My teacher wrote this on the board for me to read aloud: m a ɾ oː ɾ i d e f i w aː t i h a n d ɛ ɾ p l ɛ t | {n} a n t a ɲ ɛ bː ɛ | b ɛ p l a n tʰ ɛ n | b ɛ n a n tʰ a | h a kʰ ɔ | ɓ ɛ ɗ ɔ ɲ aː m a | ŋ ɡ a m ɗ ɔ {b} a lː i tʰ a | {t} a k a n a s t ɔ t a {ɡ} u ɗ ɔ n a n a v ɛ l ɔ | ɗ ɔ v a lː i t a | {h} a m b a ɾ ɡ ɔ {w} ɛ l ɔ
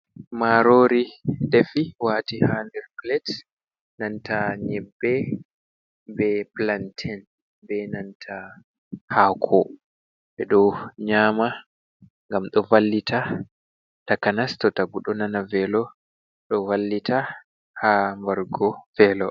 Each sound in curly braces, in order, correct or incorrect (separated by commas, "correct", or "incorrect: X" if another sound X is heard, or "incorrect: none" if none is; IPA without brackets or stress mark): correct, incorrect: v, correct, correct, correct, incorrect: v